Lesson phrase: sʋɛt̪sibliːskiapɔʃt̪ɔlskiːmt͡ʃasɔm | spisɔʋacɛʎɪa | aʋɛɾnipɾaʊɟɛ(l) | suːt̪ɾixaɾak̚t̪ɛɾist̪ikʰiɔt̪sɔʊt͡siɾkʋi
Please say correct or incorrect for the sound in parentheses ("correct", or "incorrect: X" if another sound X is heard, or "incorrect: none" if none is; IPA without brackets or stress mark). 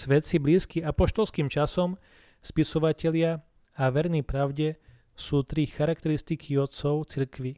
incorrect: none